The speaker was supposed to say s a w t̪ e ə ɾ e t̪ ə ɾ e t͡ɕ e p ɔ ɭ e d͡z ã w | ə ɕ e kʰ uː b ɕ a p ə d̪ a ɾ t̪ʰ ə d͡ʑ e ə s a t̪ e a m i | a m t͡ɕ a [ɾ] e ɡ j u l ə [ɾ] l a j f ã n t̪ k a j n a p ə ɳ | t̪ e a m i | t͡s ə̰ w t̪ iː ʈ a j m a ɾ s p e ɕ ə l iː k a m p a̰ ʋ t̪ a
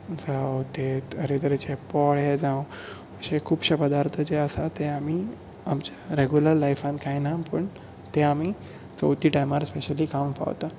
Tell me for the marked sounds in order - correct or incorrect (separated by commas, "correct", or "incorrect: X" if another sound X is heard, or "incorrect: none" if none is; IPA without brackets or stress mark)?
correct, correct